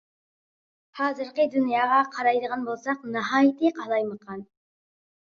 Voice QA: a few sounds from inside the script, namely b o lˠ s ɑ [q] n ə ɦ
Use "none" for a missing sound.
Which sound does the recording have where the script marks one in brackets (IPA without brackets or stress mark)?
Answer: q